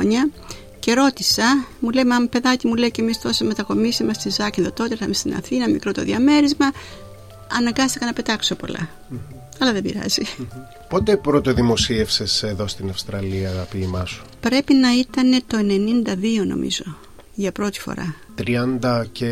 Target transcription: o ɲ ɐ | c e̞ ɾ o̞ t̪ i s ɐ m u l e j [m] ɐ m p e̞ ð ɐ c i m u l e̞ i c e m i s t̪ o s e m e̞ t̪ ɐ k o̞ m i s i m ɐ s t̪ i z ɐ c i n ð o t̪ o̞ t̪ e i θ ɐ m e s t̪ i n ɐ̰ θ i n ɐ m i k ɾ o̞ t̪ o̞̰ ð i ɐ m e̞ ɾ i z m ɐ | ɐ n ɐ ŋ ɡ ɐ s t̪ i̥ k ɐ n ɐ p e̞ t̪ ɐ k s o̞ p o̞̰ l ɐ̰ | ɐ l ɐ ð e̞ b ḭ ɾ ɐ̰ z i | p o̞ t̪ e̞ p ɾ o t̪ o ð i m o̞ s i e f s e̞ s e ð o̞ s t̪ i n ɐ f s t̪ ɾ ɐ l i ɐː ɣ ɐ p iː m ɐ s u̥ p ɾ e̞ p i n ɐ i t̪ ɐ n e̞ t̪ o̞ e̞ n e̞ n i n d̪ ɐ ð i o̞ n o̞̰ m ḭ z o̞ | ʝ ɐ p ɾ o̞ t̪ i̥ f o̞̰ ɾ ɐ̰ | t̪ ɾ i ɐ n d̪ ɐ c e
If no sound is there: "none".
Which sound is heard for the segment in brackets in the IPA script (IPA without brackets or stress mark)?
m